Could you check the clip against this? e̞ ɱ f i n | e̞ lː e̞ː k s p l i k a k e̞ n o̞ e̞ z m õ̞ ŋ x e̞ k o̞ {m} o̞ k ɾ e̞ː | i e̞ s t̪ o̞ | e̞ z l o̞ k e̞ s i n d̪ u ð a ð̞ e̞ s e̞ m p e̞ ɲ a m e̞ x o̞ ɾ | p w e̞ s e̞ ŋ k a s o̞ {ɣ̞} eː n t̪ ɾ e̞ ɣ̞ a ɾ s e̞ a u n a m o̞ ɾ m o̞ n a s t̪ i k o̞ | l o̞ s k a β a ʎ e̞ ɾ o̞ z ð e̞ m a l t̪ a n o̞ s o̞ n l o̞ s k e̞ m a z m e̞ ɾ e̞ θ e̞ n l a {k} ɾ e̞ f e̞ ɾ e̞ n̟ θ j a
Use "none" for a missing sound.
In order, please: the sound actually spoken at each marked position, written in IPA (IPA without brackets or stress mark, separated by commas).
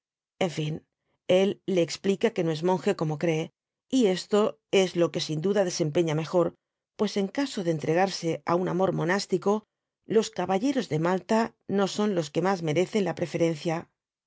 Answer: m, ð̞, p